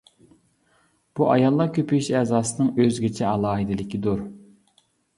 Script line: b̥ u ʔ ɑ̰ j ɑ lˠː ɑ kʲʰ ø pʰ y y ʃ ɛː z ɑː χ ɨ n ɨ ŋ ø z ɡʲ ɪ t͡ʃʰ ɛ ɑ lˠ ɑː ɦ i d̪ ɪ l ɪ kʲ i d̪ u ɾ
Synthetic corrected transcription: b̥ u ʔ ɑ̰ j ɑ lˠː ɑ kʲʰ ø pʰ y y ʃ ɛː z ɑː s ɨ n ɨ ŋ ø z ɡʲ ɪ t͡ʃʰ ɛ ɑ lˠ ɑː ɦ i d̪ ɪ l ɪ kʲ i d̪ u ɾ